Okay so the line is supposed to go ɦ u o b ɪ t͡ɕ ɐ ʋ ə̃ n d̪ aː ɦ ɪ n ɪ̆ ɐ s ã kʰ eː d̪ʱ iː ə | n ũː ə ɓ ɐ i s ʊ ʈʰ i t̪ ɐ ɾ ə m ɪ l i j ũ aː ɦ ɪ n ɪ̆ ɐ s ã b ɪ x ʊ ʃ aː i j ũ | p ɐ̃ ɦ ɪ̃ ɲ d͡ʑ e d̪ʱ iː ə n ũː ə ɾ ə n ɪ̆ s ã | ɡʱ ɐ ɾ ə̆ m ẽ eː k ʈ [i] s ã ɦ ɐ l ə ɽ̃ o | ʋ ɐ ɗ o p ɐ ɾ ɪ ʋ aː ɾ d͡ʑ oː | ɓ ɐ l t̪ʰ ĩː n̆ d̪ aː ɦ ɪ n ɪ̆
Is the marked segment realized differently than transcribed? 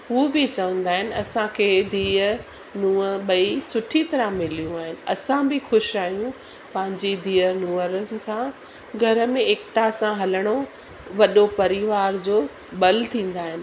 yes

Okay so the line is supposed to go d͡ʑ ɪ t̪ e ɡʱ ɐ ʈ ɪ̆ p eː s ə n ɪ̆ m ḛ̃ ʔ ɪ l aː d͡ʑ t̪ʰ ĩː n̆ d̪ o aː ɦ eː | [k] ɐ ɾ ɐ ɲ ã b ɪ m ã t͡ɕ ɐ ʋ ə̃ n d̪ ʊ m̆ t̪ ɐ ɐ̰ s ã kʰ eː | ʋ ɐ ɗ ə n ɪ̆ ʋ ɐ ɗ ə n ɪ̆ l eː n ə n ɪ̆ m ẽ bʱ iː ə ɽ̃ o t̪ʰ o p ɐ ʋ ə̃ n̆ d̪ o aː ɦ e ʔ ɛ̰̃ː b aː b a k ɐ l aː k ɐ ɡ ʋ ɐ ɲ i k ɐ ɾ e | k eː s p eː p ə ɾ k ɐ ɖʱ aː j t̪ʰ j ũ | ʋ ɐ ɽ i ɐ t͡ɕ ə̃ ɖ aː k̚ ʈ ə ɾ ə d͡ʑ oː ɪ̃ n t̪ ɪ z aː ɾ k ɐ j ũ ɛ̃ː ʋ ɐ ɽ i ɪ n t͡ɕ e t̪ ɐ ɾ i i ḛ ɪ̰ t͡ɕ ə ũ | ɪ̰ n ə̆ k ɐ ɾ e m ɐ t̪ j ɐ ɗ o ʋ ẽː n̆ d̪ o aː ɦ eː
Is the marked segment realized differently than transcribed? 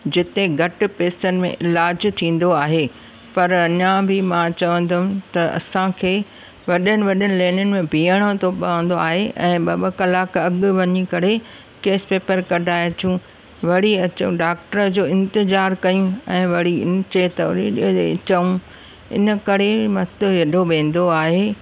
yes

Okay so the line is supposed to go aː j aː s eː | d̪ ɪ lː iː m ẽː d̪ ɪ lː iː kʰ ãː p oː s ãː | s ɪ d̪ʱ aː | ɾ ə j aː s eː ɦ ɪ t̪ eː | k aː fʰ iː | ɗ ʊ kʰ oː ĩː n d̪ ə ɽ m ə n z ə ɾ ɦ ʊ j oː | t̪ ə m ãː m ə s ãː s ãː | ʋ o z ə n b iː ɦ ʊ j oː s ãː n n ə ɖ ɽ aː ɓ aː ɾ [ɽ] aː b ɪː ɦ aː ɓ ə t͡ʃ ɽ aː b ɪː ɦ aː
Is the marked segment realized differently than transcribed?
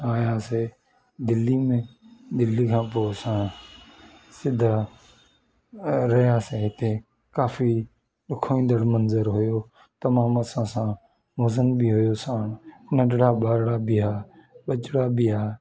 no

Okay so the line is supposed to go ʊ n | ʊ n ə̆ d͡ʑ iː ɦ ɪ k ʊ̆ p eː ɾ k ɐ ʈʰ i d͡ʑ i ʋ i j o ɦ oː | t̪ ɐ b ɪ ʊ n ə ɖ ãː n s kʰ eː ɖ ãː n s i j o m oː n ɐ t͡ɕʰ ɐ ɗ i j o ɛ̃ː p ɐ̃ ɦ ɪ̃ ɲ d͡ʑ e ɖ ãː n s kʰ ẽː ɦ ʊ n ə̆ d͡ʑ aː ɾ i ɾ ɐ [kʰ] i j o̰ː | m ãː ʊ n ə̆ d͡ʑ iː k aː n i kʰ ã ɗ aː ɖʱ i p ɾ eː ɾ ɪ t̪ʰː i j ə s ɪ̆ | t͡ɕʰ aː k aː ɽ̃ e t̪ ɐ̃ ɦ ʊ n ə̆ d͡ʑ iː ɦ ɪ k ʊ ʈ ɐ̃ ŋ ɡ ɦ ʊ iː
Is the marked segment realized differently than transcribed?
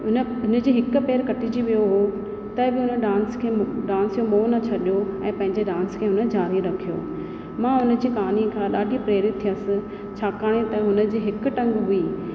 no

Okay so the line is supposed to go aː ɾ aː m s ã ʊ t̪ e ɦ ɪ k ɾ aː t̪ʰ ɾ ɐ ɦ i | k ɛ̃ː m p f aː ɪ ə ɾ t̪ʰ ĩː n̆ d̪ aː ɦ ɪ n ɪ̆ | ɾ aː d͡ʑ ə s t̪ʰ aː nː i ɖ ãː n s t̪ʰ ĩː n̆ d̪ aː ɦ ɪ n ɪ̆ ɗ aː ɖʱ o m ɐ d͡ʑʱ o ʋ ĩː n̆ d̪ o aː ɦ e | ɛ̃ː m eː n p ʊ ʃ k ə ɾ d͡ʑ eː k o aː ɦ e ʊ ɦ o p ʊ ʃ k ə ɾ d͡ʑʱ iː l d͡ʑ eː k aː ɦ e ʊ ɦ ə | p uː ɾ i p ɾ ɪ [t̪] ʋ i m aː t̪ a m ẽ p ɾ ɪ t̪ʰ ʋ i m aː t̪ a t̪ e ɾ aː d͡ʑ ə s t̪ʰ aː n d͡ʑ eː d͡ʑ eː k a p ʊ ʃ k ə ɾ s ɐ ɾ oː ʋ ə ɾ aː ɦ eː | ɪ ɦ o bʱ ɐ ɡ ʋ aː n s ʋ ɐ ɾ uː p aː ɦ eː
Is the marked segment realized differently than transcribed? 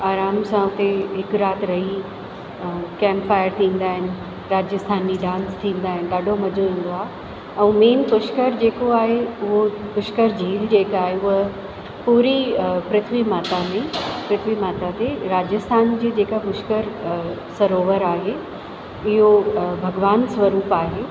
yes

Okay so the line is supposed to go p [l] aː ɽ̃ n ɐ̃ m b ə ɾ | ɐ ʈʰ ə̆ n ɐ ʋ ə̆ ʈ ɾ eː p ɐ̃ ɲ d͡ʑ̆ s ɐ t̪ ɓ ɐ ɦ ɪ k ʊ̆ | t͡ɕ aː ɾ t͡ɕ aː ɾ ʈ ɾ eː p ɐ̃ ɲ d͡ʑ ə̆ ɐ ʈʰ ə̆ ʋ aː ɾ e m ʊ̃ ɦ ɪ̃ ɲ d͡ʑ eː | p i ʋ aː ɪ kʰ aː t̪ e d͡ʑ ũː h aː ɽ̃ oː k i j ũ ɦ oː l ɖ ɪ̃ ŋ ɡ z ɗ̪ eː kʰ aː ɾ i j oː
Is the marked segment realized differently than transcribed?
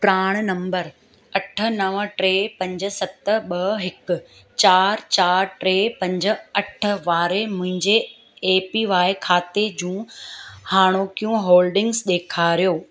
yes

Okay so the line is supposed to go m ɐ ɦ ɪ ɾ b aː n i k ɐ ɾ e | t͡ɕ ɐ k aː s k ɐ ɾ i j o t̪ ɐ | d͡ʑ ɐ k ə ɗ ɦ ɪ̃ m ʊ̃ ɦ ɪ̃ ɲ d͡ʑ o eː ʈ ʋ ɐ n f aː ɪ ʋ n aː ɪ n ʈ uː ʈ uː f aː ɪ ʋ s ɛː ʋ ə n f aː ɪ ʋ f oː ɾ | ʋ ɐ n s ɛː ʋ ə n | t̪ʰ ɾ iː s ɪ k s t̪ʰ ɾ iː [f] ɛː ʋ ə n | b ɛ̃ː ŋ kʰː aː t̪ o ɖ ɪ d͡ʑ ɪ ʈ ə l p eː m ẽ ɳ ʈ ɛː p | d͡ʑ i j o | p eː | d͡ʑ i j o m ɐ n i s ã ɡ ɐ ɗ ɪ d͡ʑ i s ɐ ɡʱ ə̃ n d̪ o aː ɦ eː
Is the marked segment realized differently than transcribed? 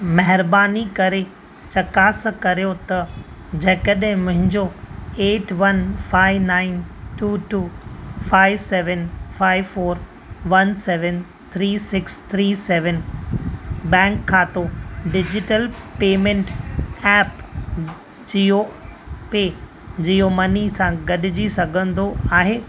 yes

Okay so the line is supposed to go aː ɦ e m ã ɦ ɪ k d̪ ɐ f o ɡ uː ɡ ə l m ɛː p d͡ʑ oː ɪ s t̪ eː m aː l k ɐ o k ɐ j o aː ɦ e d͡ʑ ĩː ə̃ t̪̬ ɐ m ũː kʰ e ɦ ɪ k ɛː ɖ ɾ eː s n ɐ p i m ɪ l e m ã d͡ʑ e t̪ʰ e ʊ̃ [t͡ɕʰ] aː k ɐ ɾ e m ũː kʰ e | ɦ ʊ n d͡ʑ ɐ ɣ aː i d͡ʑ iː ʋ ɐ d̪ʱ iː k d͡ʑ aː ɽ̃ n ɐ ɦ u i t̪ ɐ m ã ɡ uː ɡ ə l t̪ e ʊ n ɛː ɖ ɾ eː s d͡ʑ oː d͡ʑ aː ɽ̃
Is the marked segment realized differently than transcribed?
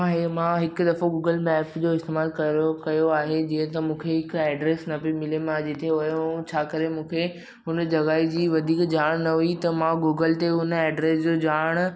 no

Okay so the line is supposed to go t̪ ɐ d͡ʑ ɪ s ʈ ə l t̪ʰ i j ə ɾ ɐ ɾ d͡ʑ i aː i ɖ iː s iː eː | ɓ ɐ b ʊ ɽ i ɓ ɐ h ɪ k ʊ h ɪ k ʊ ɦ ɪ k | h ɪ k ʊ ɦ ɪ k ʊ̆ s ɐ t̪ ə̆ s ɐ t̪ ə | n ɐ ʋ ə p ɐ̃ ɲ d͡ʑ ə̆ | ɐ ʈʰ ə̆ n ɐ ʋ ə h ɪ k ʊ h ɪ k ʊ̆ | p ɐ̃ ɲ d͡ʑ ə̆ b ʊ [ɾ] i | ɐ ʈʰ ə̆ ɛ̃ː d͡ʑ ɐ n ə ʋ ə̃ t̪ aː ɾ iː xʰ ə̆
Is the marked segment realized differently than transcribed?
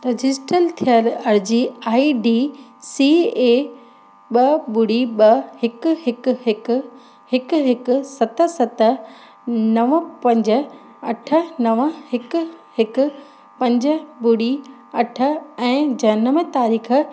yes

